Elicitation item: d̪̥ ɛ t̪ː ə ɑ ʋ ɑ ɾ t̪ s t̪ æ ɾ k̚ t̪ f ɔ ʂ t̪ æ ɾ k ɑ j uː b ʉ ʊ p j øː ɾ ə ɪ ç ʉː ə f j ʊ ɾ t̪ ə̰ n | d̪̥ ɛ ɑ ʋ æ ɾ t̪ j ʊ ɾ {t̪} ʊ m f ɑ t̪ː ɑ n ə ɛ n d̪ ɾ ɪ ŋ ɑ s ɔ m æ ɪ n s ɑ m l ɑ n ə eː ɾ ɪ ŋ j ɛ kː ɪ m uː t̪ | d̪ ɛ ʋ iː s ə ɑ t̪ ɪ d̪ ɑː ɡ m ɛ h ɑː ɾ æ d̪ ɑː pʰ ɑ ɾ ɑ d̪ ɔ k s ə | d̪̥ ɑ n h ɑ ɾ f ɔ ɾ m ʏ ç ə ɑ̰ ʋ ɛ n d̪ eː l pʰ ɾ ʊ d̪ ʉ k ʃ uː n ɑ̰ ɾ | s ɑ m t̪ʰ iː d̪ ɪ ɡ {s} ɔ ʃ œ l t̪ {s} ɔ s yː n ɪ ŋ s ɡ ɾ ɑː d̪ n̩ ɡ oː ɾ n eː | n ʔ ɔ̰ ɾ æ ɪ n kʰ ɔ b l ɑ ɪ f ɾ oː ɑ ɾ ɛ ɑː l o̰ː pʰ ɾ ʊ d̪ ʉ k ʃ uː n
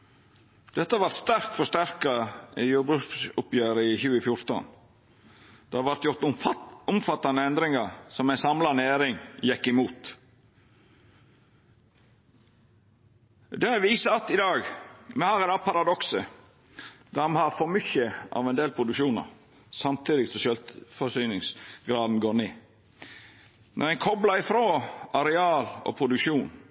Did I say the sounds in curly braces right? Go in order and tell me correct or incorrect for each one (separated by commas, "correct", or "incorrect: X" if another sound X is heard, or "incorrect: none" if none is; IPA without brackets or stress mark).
correct, correct, incorrect: f